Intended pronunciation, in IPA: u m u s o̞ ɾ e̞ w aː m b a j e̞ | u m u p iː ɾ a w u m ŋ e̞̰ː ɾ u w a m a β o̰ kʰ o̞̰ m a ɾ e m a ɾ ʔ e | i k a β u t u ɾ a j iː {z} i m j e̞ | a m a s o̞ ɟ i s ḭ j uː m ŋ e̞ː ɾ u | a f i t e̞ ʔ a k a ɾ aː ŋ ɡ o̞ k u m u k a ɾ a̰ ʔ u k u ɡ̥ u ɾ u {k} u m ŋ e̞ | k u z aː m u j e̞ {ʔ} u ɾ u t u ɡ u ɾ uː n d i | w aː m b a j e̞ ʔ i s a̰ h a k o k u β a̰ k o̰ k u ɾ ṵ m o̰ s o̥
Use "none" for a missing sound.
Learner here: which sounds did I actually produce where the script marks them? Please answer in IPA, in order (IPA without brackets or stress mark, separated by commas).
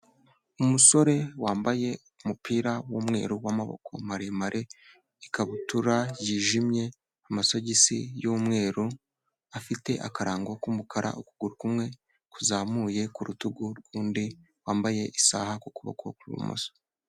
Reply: ʒ, k, k